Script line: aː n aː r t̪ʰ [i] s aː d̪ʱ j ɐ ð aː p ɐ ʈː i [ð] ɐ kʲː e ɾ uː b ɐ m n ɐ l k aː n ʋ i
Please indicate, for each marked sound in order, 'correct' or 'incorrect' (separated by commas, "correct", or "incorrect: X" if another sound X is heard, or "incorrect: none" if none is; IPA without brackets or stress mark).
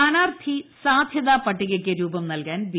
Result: correct, incorrect: ɣ